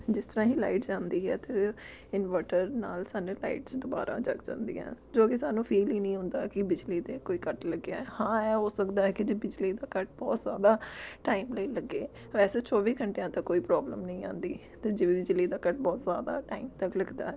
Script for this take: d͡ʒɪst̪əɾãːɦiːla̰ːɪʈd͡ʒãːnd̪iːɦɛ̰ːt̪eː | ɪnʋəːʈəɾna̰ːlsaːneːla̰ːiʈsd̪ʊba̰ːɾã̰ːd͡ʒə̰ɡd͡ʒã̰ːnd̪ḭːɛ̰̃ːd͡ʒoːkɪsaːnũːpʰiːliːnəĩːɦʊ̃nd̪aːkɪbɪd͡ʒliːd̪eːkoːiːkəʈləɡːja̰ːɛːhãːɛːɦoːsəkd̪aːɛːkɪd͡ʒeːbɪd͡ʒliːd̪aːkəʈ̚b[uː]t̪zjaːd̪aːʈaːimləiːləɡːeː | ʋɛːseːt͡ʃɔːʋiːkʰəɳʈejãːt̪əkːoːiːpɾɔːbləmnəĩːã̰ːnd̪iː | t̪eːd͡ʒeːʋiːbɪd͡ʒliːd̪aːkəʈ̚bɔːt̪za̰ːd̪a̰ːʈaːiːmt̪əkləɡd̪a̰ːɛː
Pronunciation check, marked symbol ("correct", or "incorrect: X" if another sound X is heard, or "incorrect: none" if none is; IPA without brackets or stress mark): incorrect: ɔː